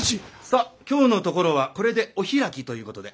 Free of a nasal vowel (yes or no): yes